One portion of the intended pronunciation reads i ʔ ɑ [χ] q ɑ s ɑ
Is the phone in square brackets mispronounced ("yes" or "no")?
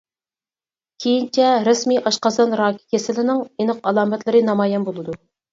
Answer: yes